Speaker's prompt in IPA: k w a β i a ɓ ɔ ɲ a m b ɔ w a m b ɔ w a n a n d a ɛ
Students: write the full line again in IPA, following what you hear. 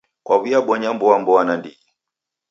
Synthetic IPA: k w a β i a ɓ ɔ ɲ a m b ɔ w a m b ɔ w a n a n d i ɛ